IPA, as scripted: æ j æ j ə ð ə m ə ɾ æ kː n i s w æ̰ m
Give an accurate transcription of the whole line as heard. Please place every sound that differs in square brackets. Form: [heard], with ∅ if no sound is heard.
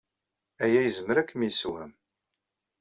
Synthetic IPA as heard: æ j æ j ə [z] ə m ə ɾ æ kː [m] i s w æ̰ m